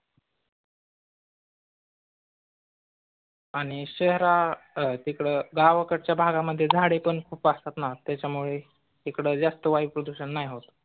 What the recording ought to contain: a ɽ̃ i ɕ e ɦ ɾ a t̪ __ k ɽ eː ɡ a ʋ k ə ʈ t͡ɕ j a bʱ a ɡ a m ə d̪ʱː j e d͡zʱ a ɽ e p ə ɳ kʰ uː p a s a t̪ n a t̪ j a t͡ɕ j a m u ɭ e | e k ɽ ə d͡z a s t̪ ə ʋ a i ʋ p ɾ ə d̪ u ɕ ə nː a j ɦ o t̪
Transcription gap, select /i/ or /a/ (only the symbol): i